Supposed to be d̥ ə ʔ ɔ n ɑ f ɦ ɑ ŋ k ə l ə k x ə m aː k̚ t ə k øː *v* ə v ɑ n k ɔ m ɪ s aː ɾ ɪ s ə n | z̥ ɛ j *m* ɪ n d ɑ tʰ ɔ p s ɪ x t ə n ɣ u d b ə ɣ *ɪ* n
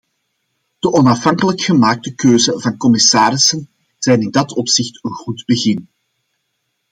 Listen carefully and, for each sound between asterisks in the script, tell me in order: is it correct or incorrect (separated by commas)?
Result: incorrect, incorrect, correct